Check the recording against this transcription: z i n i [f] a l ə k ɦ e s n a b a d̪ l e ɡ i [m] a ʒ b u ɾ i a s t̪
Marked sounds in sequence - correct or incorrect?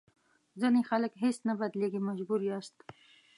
incorrect, correct

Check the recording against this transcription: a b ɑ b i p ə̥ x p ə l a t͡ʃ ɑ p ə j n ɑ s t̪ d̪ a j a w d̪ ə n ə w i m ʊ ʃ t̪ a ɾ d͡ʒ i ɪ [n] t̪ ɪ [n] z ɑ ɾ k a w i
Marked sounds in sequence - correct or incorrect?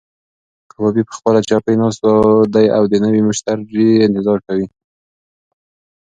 correct, incorrect

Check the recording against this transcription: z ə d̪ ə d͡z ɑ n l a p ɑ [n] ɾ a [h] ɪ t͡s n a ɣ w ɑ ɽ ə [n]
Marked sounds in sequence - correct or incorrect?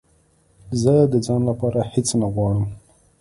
incorrect, correct, incorrect

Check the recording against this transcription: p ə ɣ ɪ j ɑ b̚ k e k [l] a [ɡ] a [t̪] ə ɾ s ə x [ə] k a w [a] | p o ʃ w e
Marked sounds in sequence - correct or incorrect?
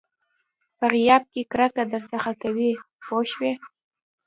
incorrect, incorrect, incorrect, incorrect, incorrect

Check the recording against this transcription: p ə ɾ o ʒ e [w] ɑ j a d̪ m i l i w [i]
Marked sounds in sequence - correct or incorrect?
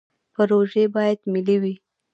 incorrect, correct

